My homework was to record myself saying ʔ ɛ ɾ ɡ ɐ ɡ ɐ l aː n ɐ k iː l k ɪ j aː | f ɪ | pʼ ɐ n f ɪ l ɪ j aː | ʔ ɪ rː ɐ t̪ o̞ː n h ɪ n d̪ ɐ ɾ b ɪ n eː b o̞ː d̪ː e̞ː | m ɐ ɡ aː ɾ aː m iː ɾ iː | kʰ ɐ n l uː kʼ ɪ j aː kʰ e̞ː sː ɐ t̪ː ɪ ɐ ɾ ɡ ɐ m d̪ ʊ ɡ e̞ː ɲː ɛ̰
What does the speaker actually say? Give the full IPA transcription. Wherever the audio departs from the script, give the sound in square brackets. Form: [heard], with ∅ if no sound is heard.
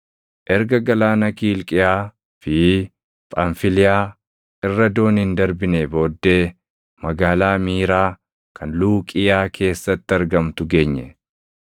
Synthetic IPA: ʔ ɛ ɾ ɡ ɐ ɡ ɐ l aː n ɐ k iː l [kʼ] ɪ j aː | f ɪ | pʼ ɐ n f ɪ l ɪ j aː | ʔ ɪ rː ɐ [d̪] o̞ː n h ɪ n d̪ ɐ ɾ b ɪ n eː b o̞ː d̪ː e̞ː | m ɐ ɡ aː [l] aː m iː ɾ [aː] | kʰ ɐ n l uː kʼ ɪ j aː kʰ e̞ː sː ɐ t̪ː ɪ ɐ ɾ ɡ ɐ m [t̪] ʊ ɡ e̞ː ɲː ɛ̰